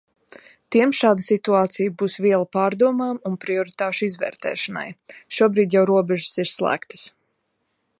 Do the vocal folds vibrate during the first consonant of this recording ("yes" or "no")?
no